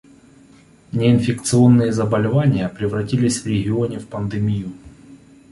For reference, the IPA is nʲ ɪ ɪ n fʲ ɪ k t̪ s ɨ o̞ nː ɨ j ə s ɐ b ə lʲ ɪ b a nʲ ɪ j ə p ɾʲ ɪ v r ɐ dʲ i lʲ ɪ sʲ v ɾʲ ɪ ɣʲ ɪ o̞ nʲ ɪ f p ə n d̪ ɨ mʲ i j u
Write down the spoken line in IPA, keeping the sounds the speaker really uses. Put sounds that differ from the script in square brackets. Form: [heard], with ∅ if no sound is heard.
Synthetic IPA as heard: nʲ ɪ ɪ n fʲ ɪ k t̪ s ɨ o̞ nː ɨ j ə [z] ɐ b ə lʲ ɪ [v] a nʲ ɪ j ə p ɾʲ ɪ v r ɐ [tʲ] i lʲ ɪ sʲ v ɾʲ ɪ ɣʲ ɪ o̞ nʲ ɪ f p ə n d̪ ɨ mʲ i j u